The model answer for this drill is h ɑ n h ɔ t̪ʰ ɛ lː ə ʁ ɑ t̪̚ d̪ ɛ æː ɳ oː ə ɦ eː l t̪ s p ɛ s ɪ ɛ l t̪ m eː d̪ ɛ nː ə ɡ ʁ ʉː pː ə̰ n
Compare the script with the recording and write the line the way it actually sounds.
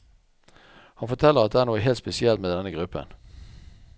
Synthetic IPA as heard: h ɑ n f ɔ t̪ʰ ɛ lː ə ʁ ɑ t̪̚ d̪ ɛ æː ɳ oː ə ɦ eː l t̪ s p ɛ s ɪ ɛ l t̪ m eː d̪ ɛ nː ə ɡ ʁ ʉ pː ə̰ n